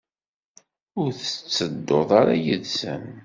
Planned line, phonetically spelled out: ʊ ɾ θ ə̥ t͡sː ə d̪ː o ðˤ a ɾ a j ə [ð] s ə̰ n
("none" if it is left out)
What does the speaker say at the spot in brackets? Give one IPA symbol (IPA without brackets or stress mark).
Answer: ð